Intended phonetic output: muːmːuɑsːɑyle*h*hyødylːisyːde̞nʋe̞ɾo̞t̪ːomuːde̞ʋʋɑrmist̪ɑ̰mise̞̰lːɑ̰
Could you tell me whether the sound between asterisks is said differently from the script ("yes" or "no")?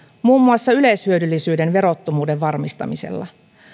yes